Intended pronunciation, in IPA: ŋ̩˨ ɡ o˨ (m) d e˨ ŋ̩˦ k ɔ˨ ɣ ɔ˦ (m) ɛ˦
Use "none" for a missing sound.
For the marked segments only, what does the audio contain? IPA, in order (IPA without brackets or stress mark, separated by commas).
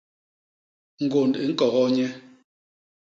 n, ɲ